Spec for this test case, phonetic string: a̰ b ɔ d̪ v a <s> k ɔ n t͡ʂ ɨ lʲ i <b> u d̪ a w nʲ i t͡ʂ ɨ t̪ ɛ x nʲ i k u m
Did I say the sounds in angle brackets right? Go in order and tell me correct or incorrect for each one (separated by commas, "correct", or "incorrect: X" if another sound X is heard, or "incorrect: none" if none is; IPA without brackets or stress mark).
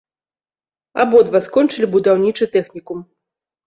correct, correct